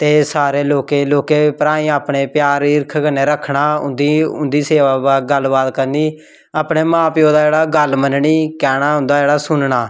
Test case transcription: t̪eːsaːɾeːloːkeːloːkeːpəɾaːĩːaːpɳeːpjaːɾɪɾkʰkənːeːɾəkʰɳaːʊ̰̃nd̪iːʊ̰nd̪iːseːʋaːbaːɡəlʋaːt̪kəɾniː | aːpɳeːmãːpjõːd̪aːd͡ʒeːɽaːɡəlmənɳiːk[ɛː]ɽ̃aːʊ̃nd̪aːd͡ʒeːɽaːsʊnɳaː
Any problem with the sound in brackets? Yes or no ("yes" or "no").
no